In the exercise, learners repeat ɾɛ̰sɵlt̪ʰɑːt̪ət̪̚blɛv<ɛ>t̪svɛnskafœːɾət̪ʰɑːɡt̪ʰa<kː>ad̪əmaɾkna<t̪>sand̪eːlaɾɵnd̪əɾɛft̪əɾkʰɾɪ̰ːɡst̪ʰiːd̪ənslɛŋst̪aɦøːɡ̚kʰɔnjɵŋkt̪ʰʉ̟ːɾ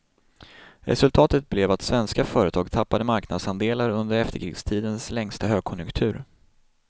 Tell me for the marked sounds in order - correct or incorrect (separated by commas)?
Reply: incorrect, incorrect, incorrect